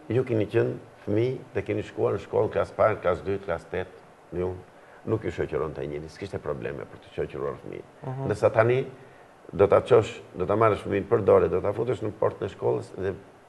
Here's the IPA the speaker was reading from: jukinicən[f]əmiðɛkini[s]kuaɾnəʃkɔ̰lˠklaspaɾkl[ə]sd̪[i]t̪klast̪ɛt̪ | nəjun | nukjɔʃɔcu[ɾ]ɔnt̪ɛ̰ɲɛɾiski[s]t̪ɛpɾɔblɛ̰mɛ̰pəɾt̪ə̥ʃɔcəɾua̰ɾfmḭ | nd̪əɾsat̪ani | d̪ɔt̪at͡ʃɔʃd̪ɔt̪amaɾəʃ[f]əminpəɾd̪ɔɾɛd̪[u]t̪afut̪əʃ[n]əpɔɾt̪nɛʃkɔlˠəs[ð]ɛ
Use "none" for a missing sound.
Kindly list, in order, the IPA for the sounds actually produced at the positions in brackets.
f, ʃ, a, y, ɾ, ʃ, f, ɔ, n, ð

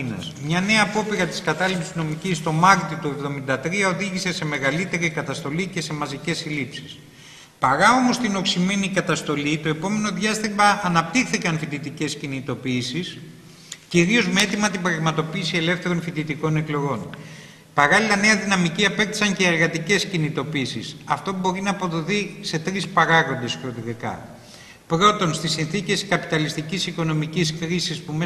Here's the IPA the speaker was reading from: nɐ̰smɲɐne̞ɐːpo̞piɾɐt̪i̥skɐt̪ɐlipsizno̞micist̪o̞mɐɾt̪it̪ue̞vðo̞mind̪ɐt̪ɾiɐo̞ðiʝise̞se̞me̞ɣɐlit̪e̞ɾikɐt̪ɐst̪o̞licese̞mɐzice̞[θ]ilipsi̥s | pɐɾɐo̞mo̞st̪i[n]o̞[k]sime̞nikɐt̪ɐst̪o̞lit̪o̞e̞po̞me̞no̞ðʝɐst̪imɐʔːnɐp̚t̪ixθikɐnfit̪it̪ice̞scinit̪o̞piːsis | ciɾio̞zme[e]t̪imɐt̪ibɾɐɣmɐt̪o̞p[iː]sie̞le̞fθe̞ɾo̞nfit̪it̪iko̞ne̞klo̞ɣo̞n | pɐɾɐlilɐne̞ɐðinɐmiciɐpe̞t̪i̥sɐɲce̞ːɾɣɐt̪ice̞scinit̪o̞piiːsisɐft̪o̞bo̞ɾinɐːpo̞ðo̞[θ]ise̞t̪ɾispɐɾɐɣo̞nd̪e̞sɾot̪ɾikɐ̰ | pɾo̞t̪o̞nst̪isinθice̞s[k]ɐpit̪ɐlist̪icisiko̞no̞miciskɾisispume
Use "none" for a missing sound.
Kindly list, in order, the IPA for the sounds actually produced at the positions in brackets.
s, n, k, e, iː, θ, k

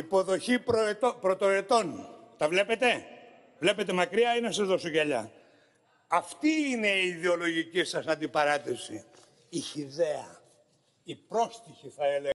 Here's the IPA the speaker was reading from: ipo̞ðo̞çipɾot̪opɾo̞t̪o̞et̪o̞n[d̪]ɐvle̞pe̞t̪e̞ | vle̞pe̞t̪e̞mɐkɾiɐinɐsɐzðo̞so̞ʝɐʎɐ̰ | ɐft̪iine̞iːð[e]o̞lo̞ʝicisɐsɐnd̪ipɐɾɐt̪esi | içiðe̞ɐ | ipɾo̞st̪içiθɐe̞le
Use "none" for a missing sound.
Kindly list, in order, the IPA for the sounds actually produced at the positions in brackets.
t̪, e

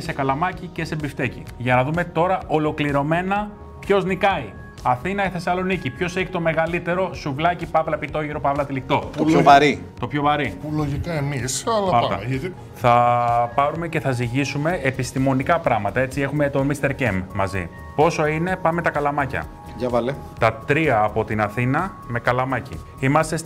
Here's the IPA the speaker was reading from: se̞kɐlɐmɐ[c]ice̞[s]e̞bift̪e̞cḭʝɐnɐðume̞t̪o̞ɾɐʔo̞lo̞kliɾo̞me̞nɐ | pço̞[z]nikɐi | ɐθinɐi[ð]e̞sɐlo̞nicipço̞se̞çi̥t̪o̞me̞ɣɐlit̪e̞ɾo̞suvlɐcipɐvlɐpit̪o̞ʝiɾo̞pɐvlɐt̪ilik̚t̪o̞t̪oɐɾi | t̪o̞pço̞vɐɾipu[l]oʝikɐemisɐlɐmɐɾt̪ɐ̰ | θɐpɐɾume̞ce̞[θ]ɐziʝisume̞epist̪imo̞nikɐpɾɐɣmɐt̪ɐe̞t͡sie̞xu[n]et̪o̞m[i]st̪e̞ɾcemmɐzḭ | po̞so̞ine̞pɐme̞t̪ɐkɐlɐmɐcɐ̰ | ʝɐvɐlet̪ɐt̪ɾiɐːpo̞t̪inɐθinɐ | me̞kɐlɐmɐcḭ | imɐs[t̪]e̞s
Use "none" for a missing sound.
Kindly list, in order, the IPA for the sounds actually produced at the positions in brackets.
c, s, z, θ, l, θ, m, i, t̪

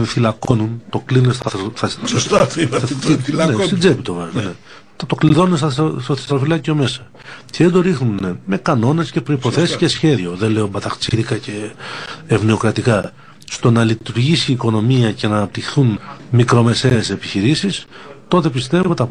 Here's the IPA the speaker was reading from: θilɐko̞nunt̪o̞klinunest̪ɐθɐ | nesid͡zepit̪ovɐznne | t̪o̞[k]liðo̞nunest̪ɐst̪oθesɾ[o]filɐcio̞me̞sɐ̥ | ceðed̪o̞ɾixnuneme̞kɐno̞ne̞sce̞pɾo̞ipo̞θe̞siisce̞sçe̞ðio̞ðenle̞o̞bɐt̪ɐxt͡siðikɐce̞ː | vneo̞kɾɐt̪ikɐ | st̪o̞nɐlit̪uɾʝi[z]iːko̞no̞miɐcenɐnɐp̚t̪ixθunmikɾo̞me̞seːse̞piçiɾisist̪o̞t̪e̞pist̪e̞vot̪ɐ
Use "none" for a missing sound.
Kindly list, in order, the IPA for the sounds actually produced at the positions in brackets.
k, o, s

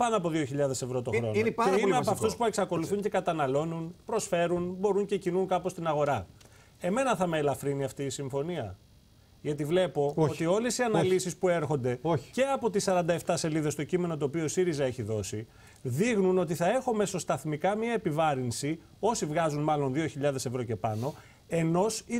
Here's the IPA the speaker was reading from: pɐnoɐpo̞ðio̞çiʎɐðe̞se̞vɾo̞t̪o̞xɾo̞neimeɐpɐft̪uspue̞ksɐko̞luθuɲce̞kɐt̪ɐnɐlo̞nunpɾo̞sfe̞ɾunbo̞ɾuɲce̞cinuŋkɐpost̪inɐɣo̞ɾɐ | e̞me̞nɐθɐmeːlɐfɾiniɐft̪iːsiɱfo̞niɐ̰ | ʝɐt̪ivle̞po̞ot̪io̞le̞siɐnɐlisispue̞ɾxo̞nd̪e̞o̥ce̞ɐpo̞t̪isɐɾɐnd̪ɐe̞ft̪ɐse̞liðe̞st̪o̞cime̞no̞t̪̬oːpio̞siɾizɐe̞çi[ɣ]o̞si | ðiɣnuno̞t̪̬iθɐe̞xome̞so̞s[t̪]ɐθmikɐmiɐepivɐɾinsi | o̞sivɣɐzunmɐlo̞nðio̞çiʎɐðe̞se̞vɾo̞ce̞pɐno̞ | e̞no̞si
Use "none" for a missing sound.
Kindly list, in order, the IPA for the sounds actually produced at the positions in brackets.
ð, t̪

